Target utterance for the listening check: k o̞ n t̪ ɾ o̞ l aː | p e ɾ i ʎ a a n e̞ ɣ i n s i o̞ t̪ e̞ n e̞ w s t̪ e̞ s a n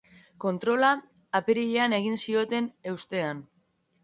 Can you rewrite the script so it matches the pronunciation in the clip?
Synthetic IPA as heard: k o̞ n t̪ ɾ o̞ l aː | p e ɾ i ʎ e a n e̞ ɣ i n s i o̞ t̪ e̞ n e̞ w s t̪ e̞ a n